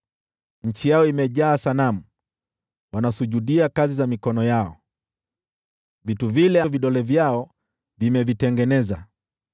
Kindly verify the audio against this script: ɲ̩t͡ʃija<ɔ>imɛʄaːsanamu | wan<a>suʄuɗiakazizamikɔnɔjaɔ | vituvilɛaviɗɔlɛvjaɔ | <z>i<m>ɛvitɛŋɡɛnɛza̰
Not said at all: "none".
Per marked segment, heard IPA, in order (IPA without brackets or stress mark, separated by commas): ɔ, a, v, m